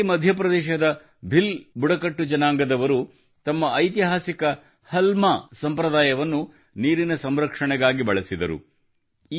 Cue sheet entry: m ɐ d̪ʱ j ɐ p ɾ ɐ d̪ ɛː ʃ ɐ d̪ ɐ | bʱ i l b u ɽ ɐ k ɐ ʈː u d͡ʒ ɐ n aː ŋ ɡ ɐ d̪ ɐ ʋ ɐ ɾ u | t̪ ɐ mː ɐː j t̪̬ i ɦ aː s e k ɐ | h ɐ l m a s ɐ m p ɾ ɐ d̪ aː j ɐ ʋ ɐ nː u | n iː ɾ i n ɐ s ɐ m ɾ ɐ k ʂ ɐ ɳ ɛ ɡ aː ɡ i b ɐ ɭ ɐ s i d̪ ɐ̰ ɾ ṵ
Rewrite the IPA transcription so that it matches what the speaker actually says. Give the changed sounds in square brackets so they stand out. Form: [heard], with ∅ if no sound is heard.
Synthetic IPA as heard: m ɐ d̪ʱ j ɐ p ɾ ɐ d̪ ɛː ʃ ɐ d̪ ɐ | bʱ i l b u ɽ ɐ k ɐ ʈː u d͡ʒ ɐ n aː ŋ ɡ ɐ d̪ ɐ ʋ ɐ ɾ u | t̪ ɐ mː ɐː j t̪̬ i ɦ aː s [i] k ɐ | h ɐ l m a s ɐ m p ɾ ɐ d̪ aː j ɐ ʋ ɐ nː u | n iː ɾ i n ɐ s ɐ m ɾ ɐ k ʂ ɐ ɳ ɛ ɡ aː ɡ i b ɐ ɭ ɐ s i d̪ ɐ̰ ɾ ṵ